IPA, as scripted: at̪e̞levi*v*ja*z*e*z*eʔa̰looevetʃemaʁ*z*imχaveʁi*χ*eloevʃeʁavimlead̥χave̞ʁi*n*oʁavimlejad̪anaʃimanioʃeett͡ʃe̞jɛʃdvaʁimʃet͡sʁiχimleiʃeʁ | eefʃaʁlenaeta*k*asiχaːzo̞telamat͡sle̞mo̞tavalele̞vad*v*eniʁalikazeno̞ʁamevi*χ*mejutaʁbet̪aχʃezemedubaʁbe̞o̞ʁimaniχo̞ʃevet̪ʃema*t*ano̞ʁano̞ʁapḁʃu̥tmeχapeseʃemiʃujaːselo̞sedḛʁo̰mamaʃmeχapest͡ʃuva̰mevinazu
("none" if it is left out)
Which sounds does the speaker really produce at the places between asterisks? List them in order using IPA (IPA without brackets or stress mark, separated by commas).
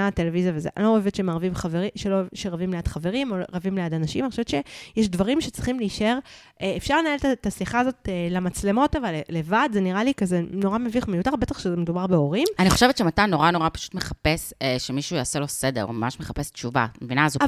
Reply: z, v, z, v, ʃ, m, t, z, χ, t